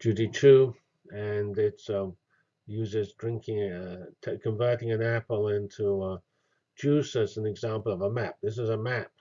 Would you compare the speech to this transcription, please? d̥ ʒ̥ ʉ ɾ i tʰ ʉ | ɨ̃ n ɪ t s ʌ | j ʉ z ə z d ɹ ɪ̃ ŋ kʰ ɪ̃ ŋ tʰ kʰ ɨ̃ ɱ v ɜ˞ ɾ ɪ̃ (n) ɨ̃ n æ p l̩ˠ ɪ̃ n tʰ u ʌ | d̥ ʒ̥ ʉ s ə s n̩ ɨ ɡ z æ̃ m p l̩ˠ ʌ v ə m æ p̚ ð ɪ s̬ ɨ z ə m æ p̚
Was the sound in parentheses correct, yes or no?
no